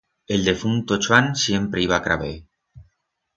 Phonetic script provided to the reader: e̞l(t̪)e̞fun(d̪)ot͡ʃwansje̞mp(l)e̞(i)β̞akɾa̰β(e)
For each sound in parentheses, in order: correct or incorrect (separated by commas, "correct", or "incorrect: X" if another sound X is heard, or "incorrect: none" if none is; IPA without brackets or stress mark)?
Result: incorrect: d̪, incorrect: t̪, incorrect: ɾ, correct, correct